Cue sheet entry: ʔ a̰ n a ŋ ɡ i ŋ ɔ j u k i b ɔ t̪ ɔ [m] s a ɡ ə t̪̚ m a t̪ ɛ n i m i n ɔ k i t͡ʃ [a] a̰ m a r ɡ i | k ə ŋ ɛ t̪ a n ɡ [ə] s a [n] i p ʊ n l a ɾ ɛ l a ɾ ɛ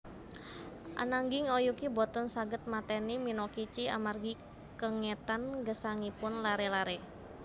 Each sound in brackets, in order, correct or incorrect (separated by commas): incorrect, incorrect, correct, incorrect